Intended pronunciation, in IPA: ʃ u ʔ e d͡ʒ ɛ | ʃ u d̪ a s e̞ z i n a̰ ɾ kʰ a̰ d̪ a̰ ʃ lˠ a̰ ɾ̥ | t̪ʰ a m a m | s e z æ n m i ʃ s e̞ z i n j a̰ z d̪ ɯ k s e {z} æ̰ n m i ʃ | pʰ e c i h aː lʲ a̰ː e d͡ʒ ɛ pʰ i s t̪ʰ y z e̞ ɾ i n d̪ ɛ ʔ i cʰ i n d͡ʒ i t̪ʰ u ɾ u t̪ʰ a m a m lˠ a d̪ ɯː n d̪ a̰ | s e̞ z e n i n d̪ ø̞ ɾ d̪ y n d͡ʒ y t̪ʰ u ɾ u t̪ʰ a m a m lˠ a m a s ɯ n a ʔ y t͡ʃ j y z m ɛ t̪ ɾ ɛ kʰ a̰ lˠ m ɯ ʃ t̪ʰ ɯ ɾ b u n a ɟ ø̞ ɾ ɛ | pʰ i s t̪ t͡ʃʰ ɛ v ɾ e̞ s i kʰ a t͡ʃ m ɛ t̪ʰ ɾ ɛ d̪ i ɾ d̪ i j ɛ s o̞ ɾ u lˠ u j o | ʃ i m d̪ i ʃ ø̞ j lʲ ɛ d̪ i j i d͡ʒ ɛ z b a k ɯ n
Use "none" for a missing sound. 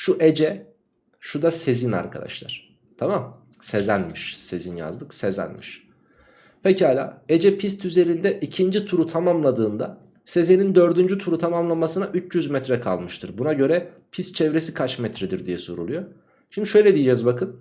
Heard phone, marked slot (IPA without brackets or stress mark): z